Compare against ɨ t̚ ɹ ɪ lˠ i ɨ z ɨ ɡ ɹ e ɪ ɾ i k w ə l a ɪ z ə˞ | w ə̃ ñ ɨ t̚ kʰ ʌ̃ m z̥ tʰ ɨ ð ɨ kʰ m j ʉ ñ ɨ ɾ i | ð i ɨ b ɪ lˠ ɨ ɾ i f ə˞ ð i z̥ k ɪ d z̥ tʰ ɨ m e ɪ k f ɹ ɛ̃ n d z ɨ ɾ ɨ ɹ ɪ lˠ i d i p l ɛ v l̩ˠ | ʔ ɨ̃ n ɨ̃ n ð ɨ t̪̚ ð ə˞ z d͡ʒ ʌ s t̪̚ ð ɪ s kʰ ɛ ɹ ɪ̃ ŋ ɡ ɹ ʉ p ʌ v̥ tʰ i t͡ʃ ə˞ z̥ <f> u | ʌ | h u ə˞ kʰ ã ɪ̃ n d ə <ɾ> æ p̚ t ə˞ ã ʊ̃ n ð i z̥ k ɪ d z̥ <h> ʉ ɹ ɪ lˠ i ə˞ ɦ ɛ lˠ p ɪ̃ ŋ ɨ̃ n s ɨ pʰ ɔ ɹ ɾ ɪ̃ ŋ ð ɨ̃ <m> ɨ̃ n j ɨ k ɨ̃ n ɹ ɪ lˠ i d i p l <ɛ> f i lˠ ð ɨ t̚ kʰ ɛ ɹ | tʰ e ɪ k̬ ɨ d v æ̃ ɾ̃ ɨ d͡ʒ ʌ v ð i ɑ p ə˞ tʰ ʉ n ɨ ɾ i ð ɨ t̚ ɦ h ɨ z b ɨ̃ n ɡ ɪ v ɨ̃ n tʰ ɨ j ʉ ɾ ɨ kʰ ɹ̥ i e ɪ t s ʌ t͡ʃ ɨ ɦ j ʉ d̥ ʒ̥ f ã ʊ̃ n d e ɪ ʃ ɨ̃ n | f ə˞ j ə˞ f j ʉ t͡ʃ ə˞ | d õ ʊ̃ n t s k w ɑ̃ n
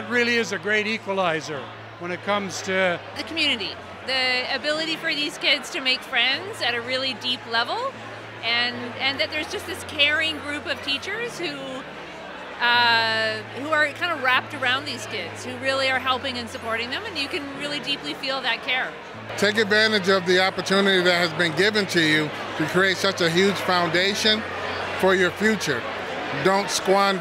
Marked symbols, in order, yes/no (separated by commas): no, no, yes, yes, no